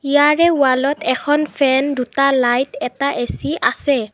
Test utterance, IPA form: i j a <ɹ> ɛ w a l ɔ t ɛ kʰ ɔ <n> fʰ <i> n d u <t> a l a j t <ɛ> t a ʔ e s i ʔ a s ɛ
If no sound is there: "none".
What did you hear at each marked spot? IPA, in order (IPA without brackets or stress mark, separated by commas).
ɹ, n, ɛ, t, ɛ